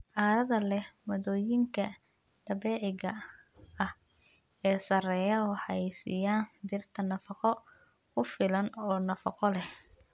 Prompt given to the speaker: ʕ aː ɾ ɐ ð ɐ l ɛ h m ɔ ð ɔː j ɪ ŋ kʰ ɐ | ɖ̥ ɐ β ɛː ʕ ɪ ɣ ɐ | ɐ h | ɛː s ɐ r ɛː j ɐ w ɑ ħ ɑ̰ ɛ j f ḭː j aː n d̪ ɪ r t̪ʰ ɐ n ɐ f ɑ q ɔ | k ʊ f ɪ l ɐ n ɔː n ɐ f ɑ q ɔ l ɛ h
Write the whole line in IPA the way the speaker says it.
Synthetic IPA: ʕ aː ɾ ɐ ð ɐ l ɛ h m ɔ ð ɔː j ɪ ŋ kʰ ɐ | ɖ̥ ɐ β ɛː ʕ ɪ ɣ ɐ | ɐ h | ɛː s ɐ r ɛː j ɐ w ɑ ħ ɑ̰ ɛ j s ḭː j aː n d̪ ɪ r t̪ʰ ɐ n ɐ f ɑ q ɔ | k ʊ f ɪ l ɐ n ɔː n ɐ f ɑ q ɔ l ɛ h